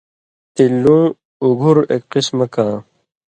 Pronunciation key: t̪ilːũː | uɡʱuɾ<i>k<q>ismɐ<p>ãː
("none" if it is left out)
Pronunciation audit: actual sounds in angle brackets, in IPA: e, q, k

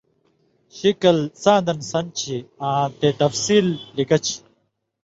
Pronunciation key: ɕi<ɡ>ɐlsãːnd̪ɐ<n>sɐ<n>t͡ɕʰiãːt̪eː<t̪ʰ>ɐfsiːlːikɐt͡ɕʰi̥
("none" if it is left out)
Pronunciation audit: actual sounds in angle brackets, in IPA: k, n, n, t̪

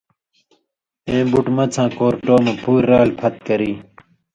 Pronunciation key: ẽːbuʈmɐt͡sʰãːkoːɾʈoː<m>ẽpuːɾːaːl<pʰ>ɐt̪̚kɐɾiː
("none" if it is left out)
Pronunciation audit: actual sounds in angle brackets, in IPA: m, pʰ

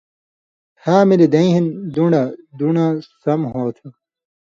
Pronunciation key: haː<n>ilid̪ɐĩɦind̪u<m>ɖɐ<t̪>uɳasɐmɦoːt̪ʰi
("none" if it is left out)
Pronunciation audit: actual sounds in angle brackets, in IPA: m, ɳ, d̪

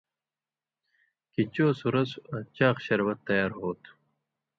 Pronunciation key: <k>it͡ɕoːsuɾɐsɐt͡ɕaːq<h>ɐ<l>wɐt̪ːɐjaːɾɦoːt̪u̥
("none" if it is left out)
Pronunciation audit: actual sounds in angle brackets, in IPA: k, ɕ, ɾ

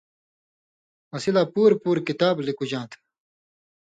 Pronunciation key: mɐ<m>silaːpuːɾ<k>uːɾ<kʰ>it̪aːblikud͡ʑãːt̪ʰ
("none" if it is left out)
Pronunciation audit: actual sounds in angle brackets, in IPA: none, p, k

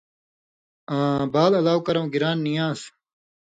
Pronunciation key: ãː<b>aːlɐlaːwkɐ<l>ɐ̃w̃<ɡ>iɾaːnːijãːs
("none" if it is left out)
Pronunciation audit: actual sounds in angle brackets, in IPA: b, ɾ, ɡ

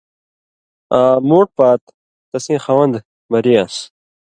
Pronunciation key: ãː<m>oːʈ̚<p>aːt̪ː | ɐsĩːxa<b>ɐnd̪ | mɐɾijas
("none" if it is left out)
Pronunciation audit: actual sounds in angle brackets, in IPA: m, p, w

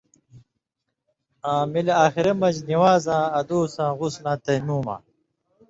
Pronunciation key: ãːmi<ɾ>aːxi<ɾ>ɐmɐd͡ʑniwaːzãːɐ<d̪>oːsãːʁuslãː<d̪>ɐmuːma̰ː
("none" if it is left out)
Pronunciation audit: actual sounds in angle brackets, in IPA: l, ɾ, d̪, t̪

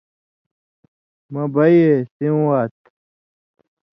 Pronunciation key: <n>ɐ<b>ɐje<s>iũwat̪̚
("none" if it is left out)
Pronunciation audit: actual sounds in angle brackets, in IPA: m, b, s

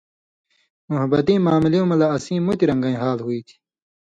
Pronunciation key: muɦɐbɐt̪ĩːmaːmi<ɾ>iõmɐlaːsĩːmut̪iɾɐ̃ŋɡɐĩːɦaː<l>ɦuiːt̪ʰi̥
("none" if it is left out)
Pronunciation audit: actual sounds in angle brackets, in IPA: l, l

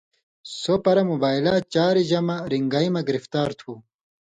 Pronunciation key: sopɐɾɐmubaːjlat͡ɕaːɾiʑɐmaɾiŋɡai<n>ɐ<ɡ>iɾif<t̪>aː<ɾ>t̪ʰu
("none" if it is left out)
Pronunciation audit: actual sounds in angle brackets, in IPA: m, ɡ, t̪, ɾ

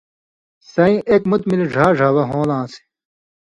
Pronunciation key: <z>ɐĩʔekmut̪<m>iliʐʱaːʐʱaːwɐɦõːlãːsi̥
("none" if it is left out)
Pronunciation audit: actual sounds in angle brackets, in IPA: s, m

